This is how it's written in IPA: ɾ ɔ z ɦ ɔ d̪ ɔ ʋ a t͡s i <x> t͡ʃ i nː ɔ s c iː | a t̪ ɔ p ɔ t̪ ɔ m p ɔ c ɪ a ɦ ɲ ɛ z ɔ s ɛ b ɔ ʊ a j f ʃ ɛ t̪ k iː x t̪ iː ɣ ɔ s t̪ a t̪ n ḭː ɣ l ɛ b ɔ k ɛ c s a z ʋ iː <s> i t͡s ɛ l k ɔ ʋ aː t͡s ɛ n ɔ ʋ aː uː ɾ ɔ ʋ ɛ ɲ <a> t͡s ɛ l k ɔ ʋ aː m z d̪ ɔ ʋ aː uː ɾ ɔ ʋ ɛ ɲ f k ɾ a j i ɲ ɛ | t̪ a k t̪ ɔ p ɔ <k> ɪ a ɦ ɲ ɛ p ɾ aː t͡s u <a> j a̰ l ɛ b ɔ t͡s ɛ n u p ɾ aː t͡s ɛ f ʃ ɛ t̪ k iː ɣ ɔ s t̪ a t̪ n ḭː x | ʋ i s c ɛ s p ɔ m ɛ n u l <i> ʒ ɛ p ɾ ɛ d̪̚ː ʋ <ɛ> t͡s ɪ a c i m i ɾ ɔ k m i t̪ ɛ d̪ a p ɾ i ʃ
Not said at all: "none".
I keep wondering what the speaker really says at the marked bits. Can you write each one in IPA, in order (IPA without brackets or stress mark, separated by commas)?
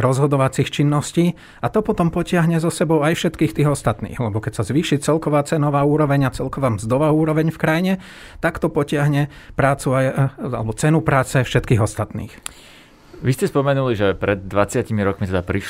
x, ʃ, a, c, a, i, a